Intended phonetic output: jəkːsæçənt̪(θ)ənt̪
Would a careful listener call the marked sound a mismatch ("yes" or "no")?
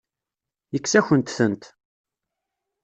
no